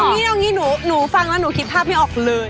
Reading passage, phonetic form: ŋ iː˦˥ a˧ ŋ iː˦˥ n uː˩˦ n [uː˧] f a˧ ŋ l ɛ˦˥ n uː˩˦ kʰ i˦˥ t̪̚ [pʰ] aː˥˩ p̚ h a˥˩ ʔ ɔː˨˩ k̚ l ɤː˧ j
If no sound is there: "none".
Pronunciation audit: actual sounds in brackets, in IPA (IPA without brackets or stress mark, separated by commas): uː˩˦, pʰ